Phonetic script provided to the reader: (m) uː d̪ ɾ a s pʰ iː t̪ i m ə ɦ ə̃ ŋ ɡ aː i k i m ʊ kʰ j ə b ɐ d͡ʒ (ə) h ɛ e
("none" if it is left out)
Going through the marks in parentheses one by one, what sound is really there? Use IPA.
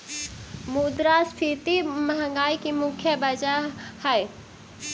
m, a

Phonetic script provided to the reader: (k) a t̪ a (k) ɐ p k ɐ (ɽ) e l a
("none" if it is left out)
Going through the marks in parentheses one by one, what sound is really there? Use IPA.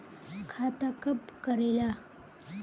kʰ, k, ɾ

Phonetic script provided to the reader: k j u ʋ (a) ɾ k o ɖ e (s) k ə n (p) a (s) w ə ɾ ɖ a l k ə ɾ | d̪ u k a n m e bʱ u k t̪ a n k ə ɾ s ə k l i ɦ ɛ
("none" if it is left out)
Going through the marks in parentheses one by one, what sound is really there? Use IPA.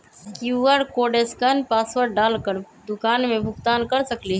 ə, s, p, s

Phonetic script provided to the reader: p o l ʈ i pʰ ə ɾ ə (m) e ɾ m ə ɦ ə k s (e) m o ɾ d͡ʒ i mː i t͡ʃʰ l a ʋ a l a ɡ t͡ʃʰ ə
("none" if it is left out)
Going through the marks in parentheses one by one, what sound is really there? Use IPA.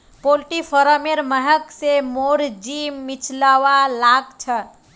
m, e

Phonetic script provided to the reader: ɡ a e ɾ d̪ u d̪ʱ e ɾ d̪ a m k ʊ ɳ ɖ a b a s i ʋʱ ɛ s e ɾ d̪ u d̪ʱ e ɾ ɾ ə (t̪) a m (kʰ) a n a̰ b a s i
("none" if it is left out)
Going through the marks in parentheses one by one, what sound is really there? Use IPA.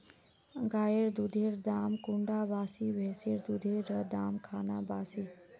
d̪, kʰ

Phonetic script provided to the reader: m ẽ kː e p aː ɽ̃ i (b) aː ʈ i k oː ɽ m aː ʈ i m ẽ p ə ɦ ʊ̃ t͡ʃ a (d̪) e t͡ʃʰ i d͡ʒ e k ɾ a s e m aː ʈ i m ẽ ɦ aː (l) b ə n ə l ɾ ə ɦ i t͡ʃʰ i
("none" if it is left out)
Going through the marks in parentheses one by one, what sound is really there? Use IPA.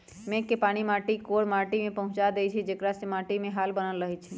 m, d̪, l

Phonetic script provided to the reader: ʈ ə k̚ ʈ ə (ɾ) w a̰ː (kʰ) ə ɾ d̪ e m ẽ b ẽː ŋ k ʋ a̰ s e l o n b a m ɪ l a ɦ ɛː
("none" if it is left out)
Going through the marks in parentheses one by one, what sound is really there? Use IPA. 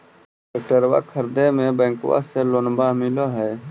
ɾ, kʰ

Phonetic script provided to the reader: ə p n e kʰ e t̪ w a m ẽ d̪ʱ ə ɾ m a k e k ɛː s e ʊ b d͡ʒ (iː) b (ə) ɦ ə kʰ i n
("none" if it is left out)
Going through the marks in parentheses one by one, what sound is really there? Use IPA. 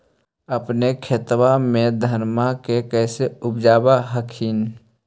aː, a

